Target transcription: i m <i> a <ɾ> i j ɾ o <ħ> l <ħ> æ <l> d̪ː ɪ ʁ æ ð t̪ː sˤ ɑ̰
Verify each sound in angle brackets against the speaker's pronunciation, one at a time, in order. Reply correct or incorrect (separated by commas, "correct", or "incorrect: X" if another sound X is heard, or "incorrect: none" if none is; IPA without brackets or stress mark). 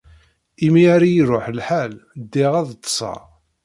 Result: correct, correct, correct, correct, correct